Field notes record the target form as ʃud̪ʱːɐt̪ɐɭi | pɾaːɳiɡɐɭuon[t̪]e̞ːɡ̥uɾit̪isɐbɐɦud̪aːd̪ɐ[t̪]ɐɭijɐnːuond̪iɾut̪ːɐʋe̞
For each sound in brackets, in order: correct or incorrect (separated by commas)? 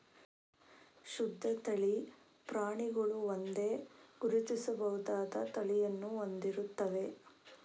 incorrect, correct